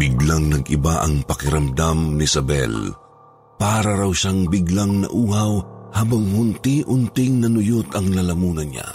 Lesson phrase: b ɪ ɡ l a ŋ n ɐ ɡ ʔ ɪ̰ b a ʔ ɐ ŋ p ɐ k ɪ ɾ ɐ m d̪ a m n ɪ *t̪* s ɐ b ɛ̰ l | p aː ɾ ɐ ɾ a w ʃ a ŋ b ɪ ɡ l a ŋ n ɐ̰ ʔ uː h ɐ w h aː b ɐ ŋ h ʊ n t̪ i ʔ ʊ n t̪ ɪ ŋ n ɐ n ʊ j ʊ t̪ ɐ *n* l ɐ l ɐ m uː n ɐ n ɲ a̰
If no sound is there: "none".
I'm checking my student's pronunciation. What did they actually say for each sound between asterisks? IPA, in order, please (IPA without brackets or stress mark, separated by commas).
none, ŋ